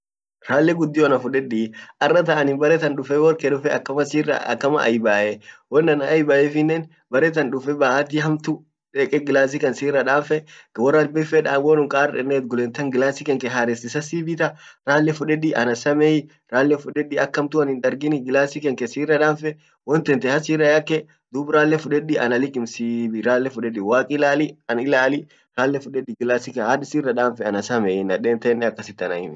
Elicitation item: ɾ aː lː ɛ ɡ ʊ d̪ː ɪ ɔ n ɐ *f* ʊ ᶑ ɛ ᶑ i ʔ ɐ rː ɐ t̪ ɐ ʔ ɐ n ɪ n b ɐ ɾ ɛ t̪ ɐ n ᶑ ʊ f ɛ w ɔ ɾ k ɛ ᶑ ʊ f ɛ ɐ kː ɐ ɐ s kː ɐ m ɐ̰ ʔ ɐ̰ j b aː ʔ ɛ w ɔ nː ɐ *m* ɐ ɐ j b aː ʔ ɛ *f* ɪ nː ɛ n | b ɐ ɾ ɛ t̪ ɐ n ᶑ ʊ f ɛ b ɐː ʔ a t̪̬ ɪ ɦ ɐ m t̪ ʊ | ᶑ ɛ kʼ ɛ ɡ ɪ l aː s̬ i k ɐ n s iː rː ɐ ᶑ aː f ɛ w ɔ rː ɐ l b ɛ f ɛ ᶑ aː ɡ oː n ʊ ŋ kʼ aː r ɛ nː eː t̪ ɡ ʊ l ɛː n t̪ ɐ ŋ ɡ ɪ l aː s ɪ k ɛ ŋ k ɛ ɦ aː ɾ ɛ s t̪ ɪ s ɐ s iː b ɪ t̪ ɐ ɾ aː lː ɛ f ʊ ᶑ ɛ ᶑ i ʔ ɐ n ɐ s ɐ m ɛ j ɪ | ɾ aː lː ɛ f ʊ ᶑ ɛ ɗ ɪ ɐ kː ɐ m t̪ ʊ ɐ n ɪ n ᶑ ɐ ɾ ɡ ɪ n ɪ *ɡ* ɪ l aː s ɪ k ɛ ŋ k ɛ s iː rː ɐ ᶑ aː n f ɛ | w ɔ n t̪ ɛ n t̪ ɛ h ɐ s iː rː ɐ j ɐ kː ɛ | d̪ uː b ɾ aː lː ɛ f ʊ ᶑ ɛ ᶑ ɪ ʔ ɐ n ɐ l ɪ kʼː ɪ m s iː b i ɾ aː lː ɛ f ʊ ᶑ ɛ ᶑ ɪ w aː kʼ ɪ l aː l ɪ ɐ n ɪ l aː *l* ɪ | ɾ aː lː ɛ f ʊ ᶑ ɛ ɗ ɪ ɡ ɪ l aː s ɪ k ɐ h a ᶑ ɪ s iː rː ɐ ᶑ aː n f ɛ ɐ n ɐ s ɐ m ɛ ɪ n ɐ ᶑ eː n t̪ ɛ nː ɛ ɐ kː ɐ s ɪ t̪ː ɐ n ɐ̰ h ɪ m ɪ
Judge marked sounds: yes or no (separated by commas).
yes, no, yes, yes, yes